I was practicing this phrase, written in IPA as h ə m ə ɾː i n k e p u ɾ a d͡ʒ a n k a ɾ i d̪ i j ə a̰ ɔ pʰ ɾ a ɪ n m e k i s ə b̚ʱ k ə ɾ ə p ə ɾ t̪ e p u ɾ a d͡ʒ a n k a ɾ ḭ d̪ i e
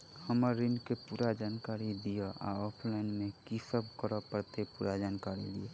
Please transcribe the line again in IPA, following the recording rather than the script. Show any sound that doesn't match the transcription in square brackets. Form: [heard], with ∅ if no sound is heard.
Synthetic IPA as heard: h ə m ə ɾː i n k e p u ɾ a d͡ʒ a n k a ɾ i d̪ i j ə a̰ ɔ pʰ [l] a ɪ n m e k i s ə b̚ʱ k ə ɾ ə p ə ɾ t̪ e p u ɾ a d͡ʒ a n k a ɾ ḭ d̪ i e